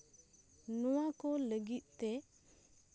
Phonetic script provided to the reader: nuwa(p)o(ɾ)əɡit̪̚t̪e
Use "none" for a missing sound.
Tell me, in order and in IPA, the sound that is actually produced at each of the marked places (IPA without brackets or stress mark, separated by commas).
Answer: k, l